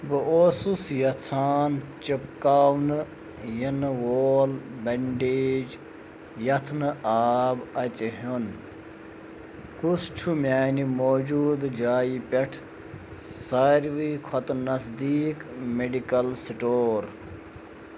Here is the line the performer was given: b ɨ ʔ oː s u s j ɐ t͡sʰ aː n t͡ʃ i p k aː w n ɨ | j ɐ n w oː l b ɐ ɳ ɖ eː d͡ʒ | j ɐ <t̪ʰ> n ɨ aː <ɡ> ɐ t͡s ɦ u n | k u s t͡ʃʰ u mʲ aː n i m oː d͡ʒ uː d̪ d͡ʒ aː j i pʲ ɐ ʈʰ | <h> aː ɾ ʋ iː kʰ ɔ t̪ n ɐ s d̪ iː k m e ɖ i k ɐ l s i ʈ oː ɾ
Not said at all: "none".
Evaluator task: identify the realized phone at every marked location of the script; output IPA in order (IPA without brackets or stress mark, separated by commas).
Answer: t̪ʰ, b, s